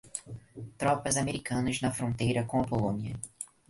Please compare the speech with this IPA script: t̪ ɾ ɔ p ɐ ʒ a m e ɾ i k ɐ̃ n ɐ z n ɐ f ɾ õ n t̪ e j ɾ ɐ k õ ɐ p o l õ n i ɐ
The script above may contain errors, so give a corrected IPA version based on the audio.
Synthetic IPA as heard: t̪ ɾ ɔ p ɐ z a m e ɾ i k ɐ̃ n ɐ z n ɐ f ɾ õ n t̪ e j ɾ ɐ k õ ɐ p o l õ n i ɐ